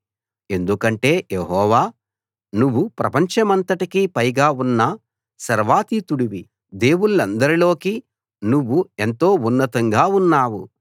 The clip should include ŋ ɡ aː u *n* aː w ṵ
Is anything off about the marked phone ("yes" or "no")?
yes